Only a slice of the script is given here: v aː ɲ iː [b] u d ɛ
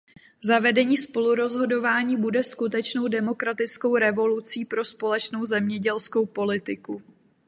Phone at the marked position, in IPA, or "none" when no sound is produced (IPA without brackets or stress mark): b